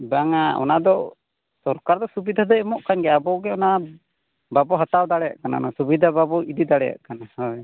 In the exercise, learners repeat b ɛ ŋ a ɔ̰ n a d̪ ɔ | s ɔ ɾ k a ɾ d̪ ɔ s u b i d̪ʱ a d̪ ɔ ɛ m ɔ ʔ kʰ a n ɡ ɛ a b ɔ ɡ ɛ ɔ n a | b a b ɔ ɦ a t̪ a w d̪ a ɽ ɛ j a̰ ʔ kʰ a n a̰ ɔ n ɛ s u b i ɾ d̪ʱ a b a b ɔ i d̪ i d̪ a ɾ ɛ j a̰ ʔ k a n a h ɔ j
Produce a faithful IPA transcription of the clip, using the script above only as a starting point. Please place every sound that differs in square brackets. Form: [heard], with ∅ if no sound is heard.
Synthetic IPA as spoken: b [a] ŋ a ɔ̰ n a d̪ ɔ | s ɔ ɾ k a ɾ d̪ ɔ s u b i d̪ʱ a d̪ ɔ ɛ m ɔ ʔ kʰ a n ɡ ɛ a b ɔ ɡ ɛ ɔ n a | b a b ɔ ɦ a t̪ a w d̪ a ɽ ɛ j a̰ ʔ [k] a n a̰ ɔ n [a] s u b i [∅] d̪ʱ a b a b ɔ i d̪ i d̪ a [ɽ] ɛ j a̰ ʔ k a n a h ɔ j